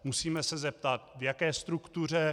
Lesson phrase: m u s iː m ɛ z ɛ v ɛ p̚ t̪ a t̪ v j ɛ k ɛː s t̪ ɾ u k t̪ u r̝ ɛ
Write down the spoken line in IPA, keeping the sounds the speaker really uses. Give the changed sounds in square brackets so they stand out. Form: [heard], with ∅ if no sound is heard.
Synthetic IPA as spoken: m u s iː m ɛ [s] ɛ [z] ɛ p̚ t̪ a t̪ v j [a] k ɛː s t̪ ɾ u k t̪ u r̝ ɛ

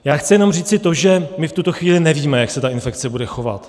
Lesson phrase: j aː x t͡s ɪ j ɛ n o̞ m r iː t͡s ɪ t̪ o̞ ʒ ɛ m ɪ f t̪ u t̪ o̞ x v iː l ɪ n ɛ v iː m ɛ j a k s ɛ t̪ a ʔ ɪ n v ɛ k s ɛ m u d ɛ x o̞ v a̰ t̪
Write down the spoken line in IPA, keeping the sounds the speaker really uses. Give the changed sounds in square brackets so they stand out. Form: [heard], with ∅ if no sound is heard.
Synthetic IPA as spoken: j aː x t͡s ɪ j ɛ n o̞ m r iː t͡s ɪ t̪ o̞ ʒ ɛ m ɪ f t̪ u t̪ o̞ x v iː l ɪ n ɛ v iː m ɛ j a k s ɛ t̪ a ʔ ɪ n [f] ɛ k [t͡s] ɛ [b] u d ɛ x o̞ v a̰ t̪

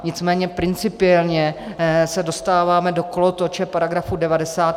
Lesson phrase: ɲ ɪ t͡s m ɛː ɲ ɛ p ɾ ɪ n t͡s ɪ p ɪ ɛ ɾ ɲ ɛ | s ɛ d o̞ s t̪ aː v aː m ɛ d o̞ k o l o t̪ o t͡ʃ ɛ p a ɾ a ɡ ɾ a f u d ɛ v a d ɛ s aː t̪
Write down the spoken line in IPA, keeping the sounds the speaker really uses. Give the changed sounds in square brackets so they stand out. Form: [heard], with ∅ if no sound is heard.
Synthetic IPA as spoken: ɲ ɪ t͡s m ɛː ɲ ɛ p ɾ ɪ n t͡s ɪ p ɪ ɛ [l] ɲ ɛ | s ɛ d o̞ s t̪ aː v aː m ɛ d o̞ k o l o t̪ o t͡ʃ ɛ p a ɾ a ɡ ɾ a f u d ɛ v a d ɛ s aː t̪

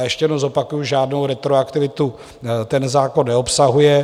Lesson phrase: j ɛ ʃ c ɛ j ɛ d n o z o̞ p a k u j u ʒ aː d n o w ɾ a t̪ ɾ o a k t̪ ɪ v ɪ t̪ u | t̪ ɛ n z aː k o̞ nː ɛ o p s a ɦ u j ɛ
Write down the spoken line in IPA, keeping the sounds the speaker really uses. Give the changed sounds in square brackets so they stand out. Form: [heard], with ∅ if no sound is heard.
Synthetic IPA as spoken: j ɛ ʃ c ɛ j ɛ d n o z o̞ p a k u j u ʒ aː d n o w ɾ [ɛ] t̪ ɾ o a k t̪ ɪ v ɪ t̪ u | t̪ ɛ n z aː k o̞ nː ɛ o p s a ɦ u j ɛ

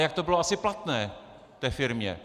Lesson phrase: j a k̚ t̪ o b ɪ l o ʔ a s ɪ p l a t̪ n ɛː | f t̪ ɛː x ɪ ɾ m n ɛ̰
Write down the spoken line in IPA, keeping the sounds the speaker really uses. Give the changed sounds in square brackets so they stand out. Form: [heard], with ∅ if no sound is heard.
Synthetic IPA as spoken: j a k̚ t̪ o b ɪ l o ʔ a s ɪ p l a t̪ n ɛː | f t̪ ɛː [f] ɪ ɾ m [ɲ] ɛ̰

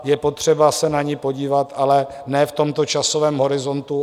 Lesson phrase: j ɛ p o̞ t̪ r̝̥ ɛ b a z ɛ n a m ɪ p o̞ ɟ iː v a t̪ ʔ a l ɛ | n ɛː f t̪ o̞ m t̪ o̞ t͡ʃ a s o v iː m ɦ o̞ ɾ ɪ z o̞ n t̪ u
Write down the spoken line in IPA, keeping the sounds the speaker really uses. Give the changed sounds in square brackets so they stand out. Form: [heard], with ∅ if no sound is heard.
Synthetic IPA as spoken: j ɛ p o̞ t̪ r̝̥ ɛ b a [s] ɛ n a [ɲ] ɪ p o̞ ɟ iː v a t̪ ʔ a l ɛ | n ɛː f t̪ o̞ m t̪ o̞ t͡ʃ a s o v [ɛː] m ɦ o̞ ɾ ɪ z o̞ n t̪ u

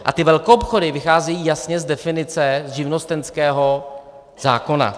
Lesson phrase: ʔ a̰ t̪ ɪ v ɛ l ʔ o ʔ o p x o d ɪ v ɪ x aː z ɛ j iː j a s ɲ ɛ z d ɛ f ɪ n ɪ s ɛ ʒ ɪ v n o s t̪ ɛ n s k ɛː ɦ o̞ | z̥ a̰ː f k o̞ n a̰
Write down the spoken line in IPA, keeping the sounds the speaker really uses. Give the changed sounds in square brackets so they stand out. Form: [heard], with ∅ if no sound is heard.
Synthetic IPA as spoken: ʔ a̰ t̪ ɪ v ɛ l [k] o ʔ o p x o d ɪ v ɪ x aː z ɛ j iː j a s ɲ ɛ z d ɛ f ɪ n ɪ [t͡s] ɛ ʒ ɪ v n o s t̪ ɛ n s k ɛː ɦ o̞ | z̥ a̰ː [∅] k o̞ n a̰

